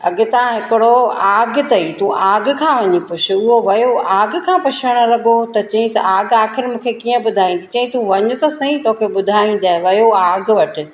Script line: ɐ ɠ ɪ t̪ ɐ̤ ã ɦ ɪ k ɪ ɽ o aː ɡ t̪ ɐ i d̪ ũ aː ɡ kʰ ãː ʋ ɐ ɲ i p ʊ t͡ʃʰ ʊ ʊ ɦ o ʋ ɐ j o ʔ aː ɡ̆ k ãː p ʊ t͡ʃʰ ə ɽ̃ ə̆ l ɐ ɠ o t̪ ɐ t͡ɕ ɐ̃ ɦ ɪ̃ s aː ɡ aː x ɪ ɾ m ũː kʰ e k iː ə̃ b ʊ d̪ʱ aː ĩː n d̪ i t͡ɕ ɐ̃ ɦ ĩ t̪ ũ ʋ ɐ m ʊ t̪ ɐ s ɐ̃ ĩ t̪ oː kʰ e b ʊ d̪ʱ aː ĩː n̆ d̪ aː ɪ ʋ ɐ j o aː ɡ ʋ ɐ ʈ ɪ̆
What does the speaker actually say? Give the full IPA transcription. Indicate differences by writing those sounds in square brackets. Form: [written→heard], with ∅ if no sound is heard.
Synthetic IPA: ɐ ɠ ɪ t̪ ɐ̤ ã ɦ ɪ k ɪ ɽ o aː ɡ t̪ ɐ i [d̪→t̪] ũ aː ɡ kʰ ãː ʋ ɐ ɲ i p ʊ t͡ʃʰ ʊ ʊ ɦ o ʋ ɐ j o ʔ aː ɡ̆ [k→kʰ] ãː p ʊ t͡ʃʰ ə ɽ̃ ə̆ l ɐ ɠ o t̪ ɐ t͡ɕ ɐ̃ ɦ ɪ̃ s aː ɡ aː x ɪ ɾ m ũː kʰ e k iː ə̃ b ʊ d̪ʱ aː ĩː n d̪ i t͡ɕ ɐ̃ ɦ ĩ t̪ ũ ʋ ɐ [m→ɲ] ʊ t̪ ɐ s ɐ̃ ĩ t̪ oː kʰ e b ʊ d̪ʱ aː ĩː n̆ d̪ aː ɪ ʋ ɐ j o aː ɡ ʋ ɐ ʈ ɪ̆